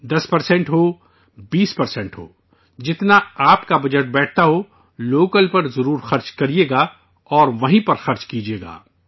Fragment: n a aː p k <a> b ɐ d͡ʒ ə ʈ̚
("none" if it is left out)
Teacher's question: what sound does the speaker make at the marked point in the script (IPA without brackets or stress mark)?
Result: a